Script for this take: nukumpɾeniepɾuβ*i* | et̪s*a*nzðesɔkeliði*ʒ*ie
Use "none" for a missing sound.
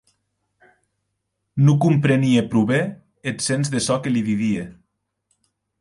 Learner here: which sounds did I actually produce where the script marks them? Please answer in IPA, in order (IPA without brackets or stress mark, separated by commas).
e, e, ð